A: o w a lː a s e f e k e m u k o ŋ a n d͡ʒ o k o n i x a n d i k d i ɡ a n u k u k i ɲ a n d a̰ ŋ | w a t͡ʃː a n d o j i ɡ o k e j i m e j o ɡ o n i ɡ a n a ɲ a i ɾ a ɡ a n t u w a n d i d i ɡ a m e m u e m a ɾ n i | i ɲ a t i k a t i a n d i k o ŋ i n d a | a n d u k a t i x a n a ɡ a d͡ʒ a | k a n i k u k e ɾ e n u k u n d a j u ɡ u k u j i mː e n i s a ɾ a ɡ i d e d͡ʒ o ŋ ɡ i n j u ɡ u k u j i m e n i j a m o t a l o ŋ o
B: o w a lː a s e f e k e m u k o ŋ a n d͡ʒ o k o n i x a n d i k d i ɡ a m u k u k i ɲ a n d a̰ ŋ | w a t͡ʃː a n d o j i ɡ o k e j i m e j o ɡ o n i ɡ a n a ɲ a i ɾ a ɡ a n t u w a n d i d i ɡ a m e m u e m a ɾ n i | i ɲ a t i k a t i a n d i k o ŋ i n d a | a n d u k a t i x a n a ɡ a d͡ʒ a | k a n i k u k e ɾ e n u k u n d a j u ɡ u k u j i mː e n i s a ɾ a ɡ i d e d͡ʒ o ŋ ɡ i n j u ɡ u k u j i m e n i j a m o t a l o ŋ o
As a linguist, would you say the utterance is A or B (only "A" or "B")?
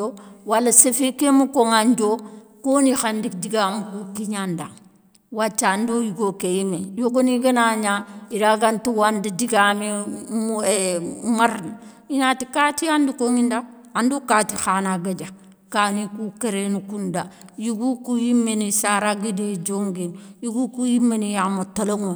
B